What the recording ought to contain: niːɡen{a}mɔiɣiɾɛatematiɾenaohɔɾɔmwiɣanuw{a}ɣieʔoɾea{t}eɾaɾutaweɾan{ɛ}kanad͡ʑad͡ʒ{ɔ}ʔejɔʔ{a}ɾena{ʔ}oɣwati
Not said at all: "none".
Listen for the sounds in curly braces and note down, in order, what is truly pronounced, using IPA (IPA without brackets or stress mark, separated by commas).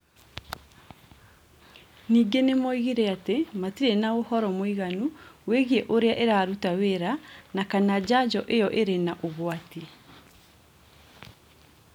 e, e, ʔ, a, ɔ, e, ʔ